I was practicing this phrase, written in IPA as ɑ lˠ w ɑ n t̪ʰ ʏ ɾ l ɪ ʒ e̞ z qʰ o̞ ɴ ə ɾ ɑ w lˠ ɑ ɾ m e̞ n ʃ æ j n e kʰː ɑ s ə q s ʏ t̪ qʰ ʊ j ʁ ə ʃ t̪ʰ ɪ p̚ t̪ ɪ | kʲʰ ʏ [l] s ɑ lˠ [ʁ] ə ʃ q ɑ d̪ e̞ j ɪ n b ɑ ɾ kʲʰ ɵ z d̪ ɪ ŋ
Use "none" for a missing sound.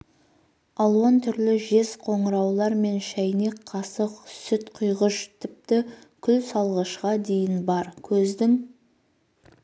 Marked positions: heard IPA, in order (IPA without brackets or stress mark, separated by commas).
l, ʁ